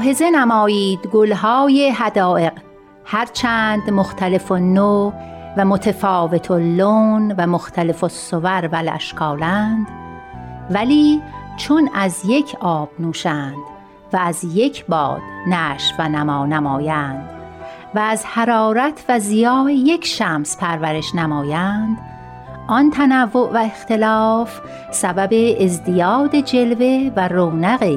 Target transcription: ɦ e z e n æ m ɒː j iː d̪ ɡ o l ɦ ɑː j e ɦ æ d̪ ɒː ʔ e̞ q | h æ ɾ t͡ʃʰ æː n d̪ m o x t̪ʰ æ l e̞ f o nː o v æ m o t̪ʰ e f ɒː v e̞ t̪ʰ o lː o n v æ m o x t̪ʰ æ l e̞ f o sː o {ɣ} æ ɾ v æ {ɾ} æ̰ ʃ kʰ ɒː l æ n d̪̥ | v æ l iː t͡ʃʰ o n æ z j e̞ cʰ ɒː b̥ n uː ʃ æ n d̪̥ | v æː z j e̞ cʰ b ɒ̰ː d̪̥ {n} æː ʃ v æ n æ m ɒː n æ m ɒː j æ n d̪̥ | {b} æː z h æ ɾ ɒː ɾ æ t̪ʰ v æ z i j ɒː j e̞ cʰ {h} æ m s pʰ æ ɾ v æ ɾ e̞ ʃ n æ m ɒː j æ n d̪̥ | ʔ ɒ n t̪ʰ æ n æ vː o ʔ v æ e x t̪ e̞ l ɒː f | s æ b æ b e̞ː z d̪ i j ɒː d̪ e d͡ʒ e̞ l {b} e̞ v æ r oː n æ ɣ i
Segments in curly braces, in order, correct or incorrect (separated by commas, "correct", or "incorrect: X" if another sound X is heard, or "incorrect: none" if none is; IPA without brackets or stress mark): incorrect: v, incorrect: l, correct, incorrect: v, incorrect: ʃ, incorrect: v